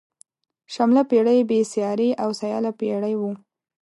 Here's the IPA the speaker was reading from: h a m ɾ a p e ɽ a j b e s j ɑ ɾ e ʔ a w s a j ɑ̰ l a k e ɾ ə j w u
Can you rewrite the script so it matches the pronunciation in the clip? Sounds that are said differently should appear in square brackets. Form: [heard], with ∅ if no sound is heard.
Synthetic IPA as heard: [ʃ] a m [l] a p e ɽ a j b e s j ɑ ɾ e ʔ a w s a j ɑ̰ l a [p] e [ɽ] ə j w u